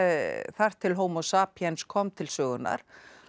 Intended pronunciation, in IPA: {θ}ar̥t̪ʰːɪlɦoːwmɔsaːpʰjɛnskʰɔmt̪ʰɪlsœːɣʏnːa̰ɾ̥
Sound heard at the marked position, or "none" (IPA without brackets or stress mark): θ